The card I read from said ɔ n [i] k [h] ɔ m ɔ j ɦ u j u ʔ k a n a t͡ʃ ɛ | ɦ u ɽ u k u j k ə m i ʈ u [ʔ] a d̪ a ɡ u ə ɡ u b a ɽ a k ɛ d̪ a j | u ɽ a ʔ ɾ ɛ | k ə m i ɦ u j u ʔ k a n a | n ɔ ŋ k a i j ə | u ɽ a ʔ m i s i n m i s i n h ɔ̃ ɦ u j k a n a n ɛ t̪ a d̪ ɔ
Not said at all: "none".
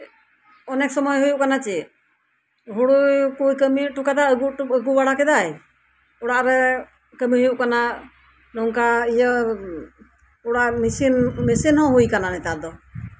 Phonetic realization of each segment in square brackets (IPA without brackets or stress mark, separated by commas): ɛ, s, k